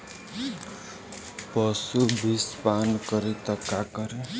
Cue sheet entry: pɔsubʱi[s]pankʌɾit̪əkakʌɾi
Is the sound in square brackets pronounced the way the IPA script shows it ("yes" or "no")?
yes